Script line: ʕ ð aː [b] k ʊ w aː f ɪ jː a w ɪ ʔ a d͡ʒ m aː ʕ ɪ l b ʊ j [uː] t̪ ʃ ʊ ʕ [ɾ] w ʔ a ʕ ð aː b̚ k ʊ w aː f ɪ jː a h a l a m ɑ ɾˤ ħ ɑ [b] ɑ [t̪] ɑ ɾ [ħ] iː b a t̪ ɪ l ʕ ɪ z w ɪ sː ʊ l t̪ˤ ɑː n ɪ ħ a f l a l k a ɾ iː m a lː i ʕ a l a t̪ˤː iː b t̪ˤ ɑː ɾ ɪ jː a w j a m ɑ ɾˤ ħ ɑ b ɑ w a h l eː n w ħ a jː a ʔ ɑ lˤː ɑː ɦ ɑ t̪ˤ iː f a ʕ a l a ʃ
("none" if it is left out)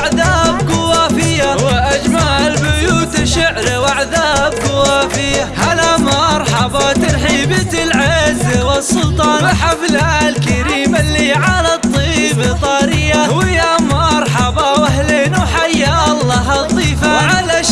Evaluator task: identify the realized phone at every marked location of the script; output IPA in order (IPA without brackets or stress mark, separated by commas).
b, uː, ɾ, b, t̪, ħ